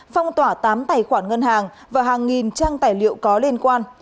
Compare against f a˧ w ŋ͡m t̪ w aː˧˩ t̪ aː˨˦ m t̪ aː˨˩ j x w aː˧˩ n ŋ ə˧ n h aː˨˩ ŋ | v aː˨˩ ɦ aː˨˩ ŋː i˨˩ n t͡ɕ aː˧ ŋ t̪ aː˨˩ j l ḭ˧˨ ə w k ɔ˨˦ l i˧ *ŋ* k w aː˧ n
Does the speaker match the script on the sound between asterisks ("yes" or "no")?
no